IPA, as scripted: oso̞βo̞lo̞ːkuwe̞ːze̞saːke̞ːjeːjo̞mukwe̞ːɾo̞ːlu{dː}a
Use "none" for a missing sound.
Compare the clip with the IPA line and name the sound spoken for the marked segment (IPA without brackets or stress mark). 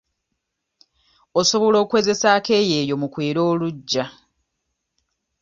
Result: ɟː